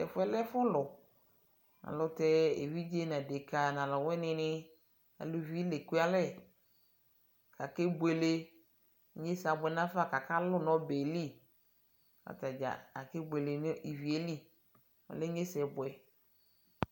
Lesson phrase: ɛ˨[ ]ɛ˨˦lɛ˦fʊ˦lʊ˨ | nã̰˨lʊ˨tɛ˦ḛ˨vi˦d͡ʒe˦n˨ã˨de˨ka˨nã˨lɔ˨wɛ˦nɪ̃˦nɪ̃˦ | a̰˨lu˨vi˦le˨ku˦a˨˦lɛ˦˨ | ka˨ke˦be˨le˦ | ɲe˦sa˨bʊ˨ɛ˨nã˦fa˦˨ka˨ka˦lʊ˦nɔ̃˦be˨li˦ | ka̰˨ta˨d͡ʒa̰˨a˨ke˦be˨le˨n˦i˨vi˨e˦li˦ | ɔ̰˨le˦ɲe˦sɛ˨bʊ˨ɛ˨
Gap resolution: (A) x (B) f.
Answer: B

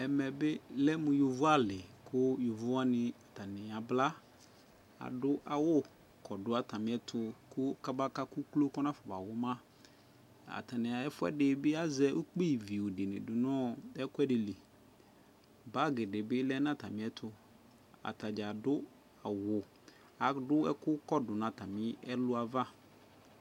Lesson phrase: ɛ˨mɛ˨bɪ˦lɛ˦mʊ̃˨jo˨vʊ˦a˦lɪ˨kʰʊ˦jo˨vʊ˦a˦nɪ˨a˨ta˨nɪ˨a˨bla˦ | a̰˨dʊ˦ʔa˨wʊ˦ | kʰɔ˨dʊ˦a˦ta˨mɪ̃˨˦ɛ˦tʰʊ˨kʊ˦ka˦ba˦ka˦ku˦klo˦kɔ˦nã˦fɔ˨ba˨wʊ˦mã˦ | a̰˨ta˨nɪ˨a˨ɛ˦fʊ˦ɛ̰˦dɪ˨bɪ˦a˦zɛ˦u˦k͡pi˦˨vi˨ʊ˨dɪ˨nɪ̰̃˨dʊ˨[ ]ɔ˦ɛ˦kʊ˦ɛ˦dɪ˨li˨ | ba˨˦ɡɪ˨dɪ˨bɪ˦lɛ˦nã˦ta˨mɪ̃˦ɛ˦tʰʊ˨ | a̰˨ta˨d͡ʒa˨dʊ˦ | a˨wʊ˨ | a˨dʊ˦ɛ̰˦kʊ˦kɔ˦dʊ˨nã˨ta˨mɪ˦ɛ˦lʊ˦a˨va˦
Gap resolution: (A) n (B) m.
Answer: A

